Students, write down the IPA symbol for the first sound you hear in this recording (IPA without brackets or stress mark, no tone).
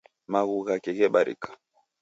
m